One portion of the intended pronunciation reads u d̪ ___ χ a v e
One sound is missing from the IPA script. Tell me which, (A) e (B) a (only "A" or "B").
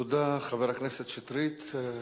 B